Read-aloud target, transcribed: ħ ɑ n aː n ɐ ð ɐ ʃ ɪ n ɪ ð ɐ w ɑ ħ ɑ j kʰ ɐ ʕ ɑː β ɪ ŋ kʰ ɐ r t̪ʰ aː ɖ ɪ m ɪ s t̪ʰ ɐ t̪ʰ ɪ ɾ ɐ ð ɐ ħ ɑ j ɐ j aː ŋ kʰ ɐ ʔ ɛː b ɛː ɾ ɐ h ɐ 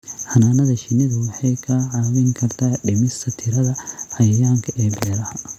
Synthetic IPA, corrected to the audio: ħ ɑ n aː n ɐ ð ɐ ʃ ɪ n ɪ ð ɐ w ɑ ħ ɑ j kʰ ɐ ʕ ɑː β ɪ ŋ kʰ ɐ r t̪ʰ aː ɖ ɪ m ɪ s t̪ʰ ɐ t̪ʰ ɪ ɾ ɐ ð ɐ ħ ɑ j ɐ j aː ŋ kʰ ɐ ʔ ɛː b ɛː ɾ ɐ h ɐ